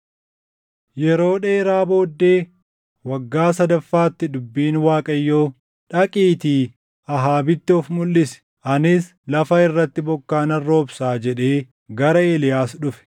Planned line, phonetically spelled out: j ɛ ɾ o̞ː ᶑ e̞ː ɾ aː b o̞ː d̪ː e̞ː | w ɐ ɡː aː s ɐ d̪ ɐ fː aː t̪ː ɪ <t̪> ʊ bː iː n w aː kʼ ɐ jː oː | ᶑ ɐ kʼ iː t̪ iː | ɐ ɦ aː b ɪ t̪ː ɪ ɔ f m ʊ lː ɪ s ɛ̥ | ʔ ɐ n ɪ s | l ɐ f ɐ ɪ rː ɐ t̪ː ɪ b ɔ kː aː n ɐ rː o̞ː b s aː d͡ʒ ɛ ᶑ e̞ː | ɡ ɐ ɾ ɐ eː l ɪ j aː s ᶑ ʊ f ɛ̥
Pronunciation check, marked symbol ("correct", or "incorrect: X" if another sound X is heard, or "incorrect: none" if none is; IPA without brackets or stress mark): incorrect: d̪